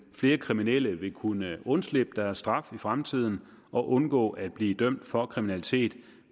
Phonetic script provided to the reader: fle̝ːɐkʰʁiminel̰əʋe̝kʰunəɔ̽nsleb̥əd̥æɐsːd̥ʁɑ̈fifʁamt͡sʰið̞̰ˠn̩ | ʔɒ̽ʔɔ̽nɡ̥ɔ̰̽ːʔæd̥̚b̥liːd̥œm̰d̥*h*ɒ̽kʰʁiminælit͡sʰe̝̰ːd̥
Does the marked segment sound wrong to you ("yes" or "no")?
yes